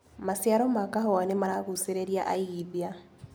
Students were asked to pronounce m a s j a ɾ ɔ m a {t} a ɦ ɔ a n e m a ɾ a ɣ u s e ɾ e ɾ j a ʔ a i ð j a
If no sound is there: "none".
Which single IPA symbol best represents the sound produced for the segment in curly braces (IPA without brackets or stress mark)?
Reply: k